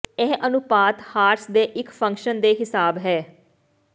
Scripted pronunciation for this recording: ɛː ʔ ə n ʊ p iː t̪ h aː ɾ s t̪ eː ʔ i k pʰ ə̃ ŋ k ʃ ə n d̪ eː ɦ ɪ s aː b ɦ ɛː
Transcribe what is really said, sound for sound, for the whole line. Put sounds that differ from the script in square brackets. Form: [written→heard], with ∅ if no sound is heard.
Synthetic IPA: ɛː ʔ ə n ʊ p [iː→aː] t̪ h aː ɾ s [t̪→d̪] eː ʔ [i→ɪ] k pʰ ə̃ ŋ k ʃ ə n d̪ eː ɦ ɪ s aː b ɦ ɛː